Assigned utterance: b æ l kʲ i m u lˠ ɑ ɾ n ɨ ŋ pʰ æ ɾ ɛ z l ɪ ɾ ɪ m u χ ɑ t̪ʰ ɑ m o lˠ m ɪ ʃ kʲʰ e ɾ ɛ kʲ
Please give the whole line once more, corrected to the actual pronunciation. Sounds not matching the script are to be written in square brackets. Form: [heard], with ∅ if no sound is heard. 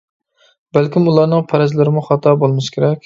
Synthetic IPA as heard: b æ l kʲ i m u lˠ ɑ ɾ n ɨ ŋ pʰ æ ɾ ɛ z l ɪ ɾ ɪ m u χ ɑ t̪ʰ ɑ [b] o lˠ m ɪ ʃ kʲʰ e ɾ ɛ kʲ